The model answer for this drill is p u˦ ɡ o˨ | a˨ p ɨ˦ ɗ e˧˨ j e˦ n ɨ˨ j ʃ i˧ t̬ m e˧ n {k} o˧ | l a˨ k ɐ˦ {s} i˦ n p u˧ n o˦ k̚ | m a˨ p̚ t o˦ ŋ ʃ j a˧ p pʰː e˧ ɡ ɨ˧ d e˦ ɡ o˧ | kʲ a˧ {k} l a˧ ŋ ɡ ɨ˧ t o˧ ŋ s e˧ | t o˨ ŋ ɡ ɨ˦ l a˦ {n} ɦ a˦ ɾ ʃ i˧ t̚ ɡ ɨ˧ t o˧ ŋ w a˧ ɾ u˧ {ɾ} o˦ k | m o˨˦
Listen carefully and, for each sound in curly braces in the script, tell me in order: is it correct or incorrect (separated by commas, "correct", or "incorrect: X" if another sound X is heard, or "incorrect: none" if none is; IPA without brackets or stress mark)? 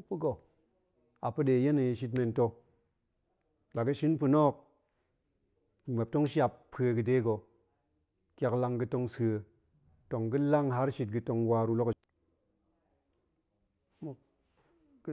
incorrect: t, incorrect: ʃ, correct, incorrect: ŋ, incorrect: l